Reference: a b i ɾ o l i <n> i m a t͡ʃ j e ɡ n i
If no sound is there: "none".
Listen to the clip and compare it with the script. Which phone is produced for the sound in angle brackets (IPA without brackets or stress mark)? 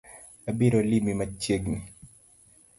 m